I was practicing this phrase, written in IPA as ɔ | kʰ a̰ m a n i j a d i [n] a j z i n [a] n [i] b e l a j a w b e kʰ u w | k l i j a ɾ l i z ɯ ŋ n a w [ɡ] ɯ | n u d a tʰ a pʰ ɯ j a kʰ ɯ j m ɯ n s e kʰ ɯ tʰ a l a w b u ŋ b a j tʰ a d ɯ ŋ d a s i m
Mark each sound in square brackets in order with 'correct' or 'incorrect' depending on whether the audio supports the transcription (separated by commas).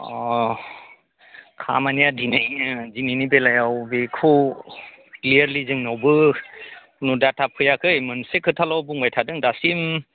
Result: correct, incorrect, correct, incorrect